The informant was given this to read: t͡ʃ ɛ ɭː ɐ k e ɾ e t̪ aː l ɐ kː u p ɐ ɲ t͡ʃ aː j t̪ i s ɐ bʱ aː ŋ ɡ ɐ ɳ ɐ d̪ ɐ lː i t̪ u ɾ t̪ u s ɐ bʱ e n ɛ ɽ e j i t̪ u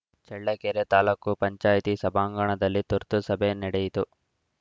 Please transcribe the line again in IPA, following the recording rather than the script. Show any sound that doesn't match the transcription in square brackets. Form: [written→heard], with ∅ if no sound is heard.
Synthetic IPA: t͡ʃ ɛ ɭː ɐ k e ɾ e t̪ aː l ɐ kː u p ɐ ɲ t͡ʃ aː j t̪ i s ɐ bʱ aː ŋ ɡ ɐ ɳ ɐ d̪ ɐ lː i t̪ u ɾ t̪ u s ɐ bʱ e n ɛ ɽ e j i t̪ u